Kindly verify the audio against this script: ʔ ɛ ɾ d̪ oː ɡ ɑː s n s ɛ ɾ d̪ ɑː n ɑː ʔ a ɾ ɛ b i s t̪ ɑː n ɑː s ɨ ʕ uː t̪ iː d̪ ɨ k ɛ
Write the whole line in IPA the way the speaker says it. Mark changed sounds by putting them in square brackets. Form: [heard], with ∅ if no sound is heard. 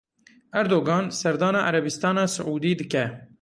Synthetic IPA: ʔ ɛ ɾ d̪ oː ɡ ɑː [∅] n s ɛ ɾ d̪ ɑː n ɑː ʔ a ɾ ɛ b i s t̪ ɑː n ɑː s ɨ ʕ uː [d̪] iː d̪ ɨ k ɛ